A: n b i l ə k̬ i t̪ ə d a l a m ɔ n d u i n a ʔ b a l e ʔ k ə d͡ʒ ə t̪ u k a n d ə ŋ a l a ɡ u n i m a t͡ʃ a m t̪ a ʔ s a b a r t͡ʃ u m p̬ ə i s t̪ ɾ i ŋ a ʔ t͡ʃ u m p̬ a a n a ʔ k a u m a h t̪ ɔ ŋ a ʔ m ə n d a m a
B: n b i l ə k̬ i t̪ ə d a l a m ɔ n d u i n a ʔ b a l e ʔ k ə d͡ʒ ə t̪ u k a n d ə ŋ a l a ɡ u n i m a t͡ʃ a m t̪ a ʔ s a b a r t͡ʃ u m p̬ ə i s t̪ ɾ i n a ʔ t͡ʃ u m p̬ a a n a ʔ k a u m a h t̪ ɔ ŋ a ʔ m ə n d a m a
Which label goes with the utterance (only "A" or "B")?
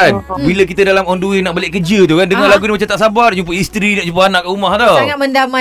B